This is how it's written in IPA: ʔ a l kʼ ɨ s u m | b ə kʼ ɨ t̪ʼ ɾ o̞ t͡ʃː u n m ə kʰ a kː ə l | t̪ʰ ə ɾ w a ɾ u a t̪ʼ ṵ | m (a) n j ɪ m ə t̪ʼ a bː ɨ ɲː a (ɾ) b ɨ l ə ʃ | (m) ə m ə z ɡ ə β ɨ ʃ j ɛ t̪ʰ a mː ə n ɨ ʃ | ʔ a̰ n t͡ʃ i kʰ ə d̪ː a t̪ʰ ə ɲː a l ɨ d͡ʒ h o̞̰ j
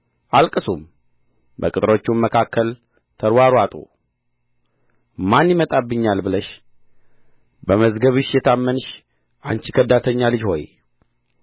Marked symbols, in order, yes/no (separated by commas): yes, no, no